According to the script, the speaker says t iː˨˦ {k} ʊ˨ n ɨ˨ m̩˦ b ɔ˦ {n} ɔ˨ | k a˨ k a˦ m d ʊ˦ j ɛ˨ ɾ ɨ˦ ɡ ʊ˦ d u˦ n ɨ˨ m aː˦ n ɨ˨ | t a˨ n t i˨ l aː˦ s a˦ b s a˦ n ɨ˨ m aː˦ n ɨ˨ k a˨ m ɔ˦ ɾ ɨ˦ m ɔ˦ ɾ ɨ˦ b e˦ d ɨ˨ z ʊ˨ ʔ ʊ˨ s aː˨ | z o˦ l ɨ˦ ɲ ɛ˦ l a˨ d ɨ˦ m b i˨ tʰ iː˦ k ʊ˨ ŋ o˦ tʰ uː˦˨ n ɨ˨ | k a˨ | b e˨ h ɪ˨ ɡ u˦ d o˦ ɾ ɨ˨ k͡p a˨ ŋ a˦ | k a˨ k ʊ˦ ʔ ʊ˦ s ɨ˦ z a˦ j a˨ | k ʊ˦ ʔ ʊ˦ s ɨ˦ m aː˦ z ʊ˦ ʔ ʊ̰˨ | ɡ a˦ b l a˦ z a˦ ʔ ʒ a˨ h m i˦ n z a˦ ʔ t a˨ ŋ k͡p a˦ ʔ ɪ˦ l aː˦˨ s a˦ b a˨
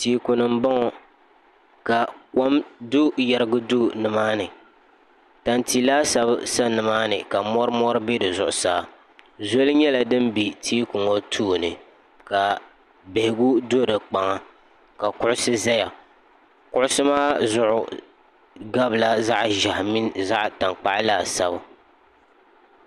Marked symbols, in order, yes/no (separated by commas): yes, no